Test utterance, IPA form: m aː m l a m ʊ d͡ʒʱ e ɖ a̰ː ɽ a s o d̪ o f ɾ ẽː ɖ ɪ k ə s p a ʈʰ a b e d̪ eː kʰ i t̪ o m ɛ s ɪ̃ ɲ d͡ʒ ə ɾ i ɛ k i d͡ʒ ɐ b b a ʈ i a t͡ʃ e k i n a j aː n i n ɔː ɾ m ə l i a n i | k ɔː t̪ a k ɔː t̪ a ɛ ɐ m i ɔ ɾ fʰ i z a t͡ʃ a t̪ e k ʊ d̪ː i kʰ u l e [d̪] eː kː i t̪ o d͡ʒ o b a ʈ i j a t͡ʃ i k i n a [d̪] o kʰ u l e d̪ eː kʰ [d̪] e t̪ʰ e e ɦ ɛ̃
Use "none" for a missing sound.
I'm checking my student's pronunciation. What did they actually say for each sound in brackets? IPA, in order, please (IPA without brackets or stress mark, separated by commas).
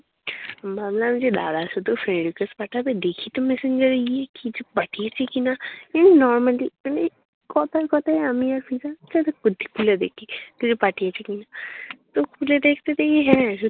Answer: d̪, t̪, t̪